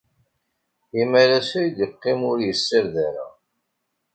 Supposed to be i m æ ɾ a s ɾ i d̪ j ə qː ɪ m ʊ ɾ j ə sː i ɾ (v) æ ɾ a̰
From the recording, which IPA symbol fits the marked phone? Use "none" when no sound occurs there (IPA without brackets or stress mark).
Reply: ð